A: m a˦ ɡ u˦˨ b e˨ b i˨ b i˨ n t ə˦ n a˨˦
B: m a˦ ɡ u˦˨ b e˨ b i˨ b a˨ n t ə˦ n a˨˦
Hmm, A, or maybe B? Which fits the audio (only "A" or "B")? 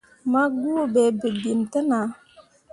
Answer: A